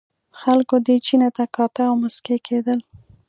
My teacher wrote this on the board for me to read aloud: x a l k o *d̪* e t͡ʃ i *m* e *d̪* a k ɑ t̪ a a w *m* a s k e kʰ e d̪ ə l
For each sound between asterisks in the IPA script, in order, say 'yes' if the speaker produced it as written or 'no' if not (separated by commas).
yes, no, no, yes